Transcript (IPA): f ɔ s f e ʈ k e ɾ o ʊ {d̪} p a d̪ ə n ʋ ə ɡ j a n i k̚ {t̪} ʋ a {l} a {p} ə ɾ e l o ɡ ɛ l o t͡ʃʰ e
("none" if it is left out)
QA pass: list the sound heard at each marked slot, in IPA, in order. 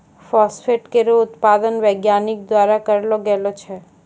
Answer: t̪, d̪, ɾ, k

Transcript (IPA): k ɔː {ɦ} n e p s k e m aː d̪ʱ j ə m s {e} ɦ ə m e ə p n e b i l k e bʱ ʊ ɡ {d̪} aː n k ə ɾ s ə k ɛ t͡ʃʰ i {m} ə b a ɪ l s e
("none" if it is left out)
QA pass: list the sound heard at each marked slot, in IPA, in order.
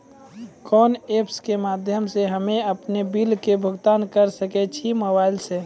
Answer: none, e, t̪, m

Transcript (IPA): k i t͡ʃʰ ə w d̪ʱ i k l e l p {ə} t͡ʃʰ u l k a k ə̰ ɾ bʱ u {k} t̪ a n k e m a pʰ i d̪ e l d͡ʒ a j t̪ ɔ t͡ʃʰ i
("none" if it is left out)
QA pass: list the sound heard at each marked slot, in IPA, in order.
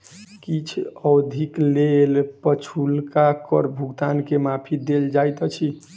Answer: ə, ɡ

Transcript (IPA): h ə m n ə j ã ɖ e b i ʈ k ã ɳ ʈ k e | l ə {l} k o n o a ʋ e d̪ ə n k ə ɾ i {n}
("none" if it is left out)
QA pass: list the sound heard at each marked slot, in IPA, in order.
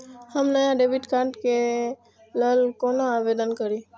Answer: l, none

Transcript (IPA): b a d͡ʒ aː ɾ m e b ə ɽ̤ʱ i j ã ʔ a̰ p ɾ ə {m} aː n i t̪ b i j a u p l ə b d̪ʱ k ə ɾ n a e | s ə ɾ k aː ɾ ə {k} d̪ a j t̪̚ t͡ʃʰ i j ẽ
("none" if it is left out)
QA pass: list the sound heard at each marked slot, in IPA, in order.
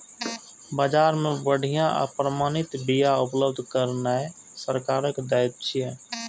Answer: m, k

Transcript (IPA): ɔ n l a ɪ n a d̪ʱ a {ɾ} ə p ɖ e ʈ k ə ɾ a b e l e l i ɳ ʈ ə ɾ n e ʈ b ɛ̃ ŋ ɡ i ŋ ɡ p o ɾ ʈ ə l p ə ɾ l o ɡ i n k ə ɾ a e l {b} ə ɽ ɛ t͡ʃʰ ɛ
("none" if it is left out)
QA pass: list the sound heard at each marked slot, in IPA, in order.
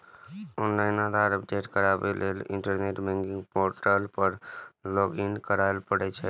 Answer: ɾ, p

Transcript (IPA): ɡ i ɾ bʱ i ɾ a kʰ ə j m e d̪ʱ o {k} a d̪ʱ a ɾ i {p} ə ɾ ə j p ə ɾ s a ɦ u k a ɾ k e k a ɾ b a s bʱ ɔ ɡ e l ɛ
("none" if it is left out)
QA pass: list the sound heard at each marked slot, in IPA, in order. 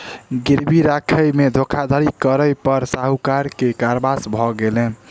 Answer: kʰ, k

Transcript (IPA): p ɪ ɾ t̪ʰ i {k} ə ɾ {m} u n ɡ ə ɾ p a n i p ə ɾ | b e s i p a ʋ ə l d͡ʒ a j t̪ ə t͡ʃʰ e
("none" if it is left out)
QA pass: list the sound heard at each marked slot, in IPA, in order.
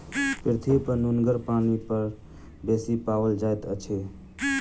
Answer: p, n

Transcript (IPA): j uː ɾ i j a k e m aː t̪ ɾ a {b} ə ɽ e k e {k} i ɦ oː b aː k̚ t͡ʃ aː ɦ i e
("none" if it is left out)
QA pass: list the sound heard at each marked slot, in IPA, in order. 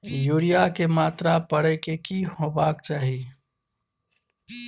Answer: p, k

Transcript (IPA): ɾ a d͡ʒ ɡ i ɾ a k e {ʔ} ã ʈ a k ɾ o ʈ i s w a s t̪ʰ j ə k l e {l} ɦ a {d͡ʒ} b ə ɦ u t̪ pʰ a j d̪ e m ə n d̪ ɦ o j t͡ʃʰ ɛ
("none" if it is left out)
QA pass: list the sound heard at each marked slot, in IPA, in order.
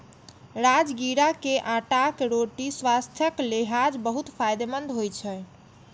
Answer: ʔ, none, d͡ʒ

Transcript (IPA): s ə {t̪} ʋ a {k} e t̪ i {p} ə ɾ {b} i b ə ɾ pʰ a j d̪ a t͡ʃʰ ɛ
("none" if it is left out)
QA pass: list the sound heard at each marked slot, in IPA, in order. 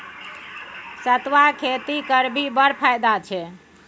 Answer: t̪, kʰ, k, b

